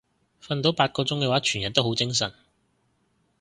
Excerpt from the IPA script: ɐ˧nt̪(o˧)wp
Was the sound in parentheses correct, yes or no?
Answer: no